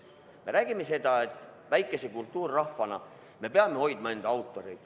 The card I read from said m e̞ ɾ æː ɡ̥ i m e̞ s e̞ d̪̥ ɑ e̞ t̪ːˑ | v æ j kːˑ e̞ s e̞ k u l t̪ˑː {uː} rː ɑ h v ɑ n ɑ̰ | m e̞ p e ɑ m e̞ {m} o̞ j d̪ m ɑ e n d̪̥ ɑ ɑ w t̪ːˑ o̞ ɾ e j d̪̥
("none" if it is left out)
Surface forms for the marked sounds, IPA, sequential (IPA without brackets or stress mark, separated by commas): uː, none